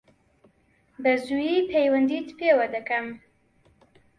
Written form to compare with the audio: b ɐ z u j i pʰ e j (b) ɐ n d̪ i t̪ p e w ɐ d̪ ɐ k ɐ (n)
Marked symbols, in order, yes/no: no, no

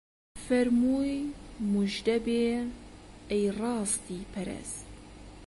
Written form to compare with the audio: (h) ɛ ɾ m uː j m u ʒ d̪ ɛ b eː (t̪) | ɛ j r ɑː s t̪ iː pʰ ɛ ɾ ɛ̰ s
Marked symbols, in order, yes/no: no, no

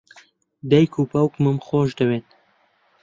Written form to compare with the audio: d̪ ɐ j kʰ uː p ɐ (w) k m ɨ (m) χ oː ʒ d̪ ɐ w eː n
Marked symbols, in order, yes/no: yes, yes

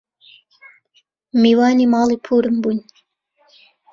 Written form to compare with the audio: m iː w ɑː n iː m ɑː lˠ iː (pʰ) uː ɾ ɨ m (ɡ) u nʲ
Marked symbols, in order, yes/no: yes, no

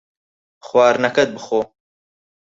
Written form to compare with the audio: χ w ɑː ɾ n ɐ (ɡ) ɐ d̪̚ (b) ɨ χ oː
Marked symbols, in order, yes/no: no, yes

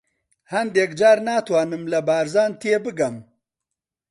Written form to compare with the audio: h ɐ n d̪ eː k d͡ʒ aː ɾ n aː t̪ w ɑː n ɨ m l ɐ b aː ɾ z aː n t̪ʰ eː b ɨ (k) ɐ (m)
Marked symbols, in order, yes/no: no, yes

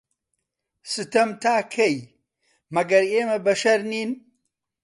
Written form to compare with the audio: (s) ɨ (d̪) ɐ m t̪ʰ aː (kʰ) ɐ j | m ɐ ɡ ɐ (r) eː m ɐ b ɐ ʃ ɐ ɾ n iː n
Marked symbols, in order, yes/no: yes, no, yes, no

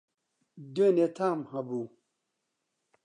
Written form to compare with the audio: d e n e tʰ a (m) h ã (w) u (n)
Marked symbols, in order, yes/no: yes, no, no

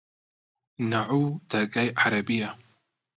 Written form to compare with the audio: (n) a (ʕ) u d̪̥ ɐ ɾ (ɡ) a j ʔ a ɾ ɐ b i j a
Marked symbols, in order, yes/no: yes, yes, yes

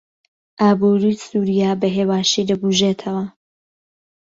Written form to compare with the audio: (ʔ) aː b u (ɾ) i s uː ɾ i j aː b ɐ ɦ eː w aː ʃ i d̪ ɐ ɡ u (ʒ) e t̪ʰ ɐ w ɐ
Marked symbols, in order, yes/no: yes, yes, yes

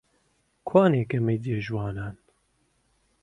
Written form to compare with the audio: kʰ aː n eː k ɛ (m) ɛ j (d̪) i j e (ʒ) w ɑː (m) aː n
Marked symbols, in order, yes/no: yes, yes, yes, no

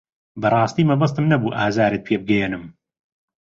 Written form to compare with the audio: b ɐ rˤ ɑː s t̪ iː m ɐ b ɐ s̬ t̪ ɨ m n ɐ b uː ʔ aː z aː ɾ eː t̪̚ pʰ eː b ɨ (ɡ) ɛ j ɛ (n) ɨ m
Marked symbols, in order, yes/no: yes, yes

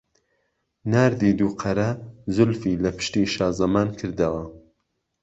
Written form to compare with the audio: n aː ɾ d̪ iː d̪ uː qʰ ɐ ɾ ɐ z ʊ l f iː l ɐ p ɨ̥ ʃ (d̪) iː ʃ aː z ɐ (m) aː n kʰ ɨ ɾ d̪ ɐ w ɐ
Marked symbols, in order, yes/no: no, yes

